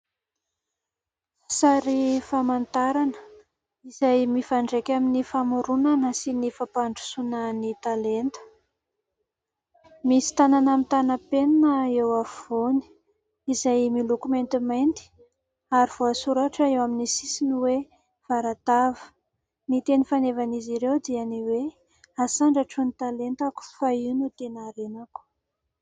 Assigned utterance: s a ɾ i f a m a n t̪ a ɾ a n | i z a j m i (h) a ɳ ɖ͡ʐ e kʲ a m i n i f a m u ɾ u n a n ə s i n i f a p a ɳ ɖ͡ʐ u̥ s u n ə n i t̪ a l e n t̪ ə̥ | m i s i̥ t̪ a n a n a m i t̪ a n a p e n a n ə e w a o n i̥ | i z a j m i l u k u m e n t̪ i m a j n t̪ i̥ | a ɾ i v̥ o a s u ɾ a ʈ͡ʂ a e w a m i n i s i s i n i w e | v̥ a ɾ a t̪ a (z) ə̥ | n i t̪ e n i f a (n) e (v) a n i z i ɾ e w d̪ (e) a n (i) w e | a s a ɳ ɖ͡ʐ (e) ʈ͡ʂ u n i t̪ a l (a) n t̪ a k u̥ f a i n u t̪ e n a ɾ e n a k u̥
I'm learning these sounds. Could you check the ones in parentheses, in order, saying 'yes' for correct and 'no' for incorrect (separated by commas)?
no, no, yes, yes, no, yes, no, no